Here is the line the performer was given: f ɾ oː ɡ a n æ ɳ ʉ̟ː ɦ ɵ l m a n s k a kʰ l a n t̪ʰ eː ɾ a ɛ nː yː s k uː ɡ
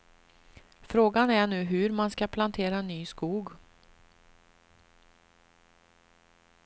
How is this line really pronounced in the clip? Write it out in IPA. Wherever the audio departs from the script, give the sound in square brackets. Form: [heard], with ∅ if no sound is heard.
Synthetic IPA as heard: f ɾ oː ɡ a n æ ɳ ʉ̟ː ɦ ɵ [ɾ] m a n s k a [pʰ] l a n t̪ʰ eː ɾ a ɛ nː yː s k uː ɡ

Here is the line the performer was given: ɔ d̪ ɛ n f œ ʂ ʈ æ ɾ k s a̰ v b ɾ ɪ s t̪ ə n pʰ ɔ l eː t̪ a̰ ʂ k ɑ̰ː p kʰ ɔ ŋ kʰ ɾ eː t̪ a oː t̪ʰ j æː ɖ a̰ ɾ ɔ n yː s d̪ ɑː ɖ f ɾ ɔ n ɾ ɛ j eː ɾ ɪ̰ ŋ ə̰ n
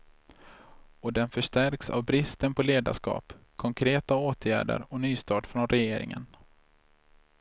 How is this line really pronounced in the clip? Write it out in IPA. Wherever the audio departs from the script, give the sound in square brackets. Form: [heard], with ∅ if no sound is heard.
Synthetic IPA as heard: ɔ d̪ ɛ n f œ ʂ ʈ æ ɾ k s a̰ v b ɾ ɪ s t̪ ə n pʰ ɔ l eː [d̪] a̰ ʂ k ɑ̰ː p kʰ ɔ ŋ kʰ ɾ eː t̪ a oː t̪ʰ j æː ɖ [ə̰] ɾ ɔ n yː s [t̪] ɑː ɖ f ɾ ɔ n ɾ ɛ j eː ɾ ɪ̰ ŋ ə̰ n

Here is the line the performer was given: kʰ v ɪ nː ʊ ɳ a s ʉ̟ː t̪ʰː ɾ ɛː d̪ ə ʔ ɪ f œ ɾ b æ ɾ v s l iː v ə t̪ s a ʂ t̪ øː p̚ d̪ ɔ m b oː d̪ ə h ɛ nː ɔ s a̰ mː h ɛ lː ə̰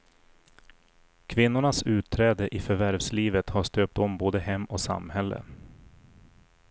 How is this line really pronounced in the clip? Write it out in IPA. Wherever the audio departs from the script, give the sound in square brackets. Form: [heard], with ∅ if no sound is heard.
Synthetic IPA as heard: kʰ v ɪ nː ʊ ɳ a s ʉ̟ː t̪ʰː ɾ ɛː d̪ ə ʔ ɪ f œ ɾ [v] æ ɾ v s l iː v ə t̪ [h] a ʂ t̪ øː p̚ [t̪] ɔ m b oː d̪ ə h ɛ [mː] ɔ s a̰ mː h ɛ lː ə̰

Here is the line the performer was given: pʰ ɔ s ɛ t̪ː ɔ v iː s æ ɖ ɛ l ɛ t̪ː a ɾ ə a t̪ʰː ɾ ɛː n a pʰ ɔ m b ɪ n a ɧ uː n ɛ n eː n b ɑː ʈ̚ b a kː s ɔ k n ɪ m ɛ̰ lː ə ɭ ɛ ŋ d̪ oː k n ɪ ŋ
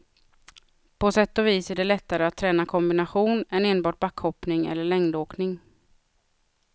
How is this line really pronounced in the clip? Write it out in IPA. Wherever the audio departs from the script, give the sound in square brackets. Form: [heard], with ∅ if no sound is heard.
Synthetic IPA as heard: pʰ ɔ s ɛ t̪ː ɔ v iː s æ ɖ ɛ l ɛ t̪ː a ɾ ə a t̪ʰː ɾ ɛː n a [kʰ] ɔ m b ɪ n a ɧ uː n ɛ n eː n b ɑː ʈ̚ b a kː [h] ɔ [p] n ɪ [ŋ] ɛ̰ lː ə ɭ ɛ ŋ d̪ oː k n ɪ ŋ

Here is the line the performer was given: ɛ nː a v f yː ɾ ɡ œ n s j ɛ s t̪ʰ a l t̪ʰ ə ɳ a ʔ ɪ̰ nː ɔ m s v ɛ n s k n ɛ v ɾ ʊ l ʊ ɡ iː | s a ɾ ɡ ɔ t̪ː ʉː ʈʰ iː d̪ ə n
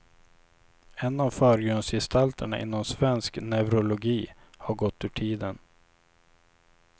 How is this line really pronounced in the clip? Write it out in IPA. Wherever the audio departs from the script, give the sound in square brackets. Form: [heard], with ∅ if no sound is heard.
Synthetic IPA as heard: ɛ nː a v f [œː] ɾ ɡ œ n s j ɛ s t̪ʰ a l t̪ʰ ə ɳ a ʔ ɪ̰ nː ɔ m s v ɛ n s k n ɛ v ɾ ʊ l ʊ ɡ iː | [h] a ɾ ɡ ɔ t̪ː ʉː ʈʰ iː d̪ ə n

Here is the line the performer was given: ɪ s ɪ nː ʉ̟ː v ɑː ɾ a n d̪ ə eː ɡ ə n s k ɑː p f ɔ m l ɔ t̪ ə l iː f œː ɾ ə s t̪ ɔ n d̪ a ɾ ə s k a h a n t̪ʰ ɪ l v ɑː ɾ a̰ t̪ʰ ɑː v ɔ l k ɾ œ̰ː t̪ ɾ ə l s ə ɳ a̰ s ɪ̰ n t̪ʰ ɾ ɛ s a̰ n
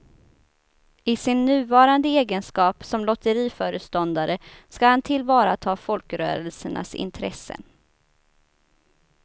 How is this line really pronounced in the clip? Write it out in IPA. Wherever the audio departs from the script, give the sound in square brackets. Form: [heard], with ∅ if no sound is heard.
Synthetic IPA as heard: ɪ s ɪ nː ʉ̟ː v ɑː ɾ a n d̪ ə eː ɡ ə n s k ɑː p [s] ɔ m l ɔ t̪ ə [ɾ] iː f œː ɾ ə s t̪ ɔ n d̪ a ɾ ə s k a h a n t̪ʰ ɪ l v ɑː ɾ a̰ t̪ʰ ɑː [f] ɔ l k ɾ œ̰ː [∅] ɾ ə l s ə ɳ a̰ s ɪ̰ n t̪ʰ ɾ ɛ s [ə̰] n

